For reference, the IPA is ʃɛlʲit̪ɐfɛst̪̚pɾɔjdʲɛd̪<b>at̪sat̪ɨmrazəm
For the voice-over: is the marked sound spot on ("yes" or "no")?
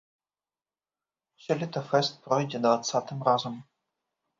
no